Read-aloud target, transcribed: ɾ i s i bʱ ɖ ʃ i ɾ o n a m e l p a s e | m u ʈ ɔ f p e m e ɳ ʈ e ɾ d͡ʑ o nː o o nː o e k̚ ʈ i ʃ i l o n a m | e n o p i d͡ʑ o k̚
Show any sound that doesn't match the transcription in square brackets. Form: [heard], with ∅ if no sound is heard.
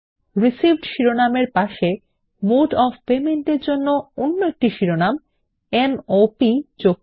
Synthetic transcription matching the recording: ɾ i s i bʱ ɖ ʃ i ɾ o n a m e [ɾ] p a [ʃ] e | m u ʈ ɔ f p e m e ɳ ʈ e ɾ d͡ʑ o nː o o nː o e k̚ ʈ i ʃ i [ɾ] o n a m | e n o p i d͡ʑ o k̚